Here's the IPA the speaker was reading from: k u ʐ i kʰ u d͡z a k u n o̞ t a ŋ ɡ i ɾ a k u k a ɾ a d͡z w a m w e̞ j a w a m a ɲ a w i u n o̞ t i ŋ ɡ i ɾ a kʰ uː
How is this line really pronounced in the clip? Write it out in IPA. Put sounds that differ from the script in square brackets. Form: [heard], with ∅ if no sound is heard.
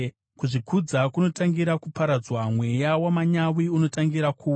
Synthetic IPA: k u ʐ i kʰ u d͡z a k u n o̞ t a ŋ ɡ i ɾ a k u [p] a ɾ a d͡z w a m w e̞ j a w a m a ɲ a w i u n o̞ t [a] ŋ ɡ i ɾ a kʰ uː